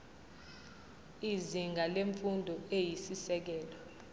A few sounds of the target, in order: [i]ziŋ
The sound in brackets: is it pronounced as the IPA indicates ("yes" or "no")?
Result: yes